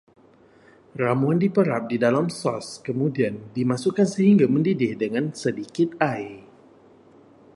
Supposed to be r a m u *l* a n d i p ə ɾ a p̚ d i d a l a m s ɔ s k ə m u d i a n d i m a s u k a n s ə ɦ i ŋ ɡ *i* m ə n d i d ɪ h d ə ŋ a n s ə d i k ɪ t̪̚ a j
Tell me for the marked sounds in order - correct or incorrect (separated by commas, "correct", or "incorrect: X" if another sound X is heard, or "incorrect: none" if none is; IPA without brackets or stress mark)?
incorrect: none, incorrect: a